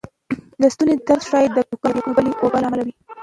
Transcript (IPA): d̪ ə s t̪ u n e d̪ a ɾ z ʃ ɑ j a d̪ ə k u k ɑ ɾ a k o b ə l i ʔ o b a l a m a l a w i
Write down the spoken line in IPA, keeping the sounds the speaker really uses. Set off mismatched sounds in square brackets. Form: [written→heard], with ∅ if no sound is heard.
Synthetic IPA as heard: d̪ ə s t̪ u n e d̪ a ɾ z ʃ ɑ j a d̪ ə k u k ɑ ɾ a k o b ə l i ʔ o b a l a m a l a w i